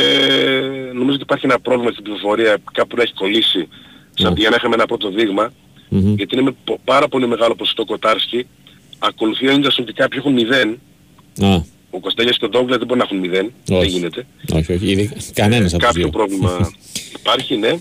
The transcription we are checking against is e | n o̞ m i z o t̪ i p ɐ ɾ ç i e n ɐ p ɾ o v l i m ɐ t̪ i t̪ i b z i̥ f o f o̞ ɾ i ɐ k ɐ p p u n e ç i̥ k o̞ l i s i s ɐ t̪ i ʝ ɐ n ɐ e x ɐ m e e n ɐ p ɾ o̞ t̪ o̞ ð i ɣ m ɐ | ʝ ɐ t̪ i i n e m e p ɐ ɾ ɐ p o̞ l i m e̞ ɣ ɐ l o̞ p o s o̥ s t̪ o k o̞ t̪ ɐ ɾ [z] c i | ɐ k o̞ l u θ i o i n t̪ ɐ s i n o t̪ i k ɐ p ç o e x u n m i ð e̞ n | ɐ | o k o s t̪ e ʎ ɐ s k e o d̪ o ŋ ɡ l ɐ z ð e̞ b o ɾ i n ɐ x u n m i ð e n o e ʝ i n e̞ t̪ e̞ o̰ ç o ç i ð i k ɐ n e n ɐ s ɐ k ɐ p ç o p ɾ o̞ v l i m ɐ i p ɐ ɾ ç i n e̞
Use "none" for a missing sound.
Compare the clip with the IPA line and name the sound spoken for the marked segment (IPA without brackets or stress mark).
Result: s